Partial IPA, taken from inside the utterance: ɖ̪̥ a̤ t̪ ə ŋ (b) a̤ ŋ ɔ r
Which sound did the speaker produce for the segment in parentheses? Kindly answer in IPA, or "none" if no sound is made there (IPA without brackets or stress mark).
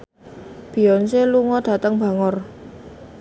b